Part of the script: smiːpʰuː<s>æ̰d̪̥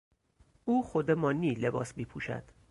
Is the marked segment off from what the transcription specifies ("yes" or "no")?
yes